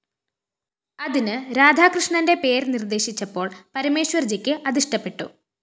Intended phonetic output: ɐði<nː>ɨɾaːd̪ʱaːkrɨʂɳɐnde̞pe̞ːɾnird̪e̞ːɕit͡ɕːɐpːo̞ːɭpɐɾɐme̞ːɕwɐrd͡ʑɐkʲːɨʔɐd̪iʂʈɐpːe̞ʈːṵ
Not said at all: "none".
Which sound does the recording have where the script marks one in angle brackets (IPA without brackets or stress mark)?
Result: n